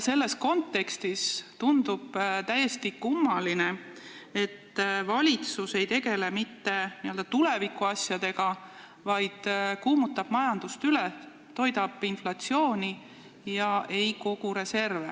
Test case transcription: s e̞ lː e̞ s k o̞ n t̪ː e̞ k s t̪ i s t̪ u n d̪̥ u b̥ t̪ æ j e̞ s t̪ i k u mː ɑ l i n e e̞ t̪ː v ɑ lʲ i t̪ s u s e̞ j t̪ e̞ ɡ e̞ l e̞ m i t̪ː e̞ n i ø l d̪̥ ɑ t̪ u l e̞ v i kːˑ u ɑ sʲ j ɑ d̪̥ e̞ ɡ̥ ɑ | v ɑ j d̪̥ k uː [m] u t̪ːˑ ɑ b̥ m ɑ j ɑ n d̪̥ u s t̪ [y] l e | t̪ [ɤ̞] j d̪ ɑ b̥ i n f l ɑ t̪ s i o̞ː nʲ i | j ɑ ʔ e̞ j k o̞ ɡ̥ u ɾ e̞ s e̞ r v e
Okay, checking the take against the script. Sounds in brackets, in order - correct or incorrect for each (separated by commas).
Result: correct, correct, incorrect